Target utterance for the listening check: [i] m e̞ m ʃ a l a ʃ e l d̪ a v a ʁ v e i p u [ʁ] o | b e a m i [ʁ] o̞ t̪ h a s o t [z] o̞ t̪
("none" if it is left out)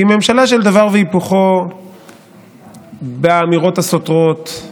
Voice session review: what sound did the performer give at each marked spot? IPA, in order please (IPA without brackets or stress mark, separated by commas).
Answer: i, χ, ʁ, ʁ